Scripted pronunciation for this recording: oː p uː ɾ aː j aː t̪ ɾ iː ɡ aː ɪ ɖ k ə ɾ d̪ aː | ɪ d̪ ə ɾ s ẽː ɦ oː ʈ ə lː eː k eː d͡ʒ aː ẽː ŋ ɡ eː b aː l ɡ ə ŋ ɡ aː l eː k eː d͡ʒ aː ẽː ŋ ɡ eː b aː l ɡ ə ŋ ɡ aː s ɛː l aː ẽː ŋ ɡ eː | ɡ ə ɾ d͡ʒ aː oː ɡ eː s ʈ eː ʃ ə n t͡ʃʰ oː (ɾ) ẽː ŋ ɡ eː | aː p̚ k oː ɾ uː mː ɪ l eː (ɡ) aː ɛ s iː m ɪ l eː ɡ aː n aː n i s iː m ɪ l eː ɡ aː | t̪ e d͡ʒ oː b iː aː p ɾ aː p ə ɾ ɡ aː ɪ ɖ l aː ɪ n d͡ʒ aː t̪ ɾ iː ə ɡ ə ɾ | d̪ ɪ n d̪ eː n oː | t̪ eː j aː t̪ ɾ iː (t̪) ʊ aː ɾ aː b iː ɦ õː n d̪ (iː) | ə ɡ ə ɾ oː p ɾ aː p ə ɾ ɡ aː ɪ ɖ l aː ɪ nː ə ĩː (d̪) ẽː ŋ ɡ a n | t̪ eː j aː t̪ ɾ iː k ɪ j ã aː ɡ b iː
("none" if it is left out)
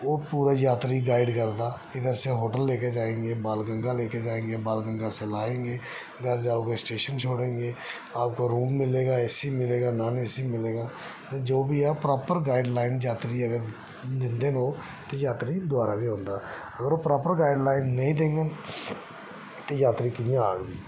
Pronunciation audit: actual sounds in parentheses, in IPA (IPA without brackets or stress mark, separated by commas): ɽ, ɡ, d̪, aː, d̪